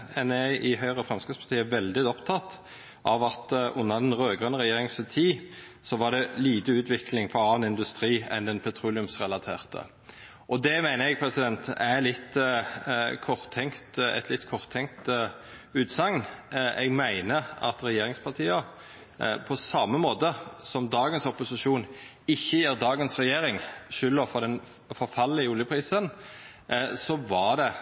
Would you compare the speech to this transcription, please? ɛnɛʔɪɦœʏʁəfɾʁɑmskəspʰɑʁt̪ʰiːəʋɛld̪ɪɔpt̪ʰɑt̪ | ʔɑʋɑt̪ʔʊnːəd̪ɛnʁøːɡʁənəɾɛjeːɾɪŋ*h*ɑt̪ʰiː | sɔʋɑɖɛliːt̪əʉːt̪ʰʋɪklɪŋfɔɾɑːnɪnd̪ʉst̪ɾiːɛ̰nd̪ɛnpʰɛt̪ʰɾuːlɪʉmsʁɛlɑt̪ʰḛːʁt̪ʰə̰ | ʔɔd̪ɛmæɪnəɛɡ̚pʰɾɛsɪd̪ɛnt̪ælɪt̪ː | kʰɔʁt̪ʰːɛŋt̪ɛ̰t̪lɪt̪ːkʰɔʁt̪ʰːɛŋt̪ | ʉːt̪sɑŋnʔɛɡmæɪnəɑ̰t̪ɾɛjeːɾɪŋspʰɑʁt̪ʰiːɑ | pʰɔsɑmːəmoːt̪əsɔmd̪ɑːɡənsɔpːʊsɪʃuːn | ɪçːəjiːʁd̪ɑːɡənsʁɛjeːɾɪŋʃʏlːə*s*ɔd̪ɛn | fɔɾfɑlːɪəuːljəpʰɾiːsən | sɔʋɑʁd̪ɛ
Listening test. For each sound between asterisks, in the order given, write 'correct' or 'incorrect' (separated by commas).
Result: incorrect, incorrect